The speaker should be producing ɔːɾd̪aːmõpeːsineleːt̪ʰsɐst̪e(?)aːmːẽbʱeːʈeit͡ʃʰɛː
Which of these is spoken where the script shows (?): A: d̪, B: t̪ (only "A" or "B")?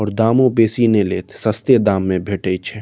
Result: A